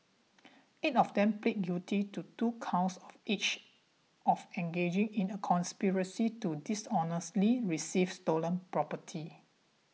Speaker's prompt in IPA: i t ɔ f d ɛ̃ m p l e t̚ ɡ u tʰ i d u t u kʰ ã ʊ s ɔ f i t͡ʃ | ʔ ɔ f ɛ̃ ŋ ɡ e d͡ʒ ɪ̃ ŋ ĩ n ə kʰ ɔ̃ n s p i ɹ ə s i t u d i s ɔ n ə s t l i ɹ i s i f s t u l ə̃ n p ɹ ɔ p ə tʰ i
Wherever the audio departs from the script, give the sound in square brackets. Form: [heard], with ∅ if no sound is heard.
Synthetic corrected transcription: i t ɔ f d ɛ̃ m p l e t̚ ɡ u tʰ i [t] u t u kʰ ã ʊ s ɔ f i t͡ʃ | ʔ ɔ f ɛ̃ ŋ ɡ e d͡ʒ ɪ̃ ŋ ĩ n ə kʰ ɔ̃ n s p i ɹ ə s i t u d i s ɔ n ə s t l i ɹ i s i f s t [o] l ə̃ n p ɹ ɔ p ə tʰ i